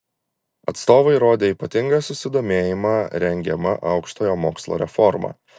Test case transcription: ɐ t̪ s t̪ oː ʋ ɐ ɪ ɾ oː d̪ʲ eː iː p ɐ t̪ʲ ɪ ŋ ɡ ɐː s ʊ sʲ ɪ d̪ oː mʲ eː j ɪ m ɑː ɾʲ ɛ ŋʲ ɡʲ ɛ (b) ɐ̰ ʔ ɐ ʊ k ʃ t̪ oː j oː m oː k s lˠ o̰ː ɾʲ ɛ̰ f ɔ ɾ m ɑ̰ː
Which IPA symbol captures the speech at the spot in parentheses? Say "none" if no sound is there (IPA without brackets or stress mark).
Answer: m